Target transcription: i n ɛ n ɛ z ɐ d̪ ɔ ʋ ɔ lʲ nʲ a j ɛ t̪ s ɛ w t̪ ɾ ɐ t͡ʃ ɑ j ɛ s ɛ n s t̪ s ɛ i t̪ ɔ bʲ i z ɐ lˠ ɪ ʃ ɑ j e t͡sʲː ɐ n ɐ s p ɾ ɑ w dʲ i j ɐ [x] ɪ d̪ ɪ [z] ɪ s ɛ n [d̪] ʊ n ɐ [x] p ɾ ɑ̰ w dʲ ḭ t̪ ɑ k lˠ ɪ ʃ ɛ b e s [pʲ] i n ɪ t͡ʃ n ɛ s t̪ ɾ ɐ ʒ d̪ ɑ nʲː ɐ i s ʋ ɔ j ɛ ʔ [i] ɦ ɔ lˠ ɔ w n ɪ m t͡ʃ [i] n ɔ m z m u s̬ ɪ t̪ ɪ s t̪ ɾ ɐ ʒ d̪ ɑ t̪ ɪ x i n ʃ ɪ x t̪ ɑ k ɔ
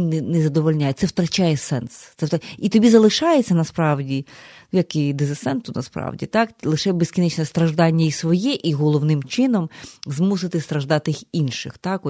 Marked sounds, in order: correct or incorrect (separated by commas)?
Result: incorrect, correct, incorrect, incorrect, incorrect, correct, incorrect